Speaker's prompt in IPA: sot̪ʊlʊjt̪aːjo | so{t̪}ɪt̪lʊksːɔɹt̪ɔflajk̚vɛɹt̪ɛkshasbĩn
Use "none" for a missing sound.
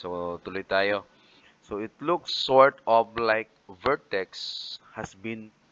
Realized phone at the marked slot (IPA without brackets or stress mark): none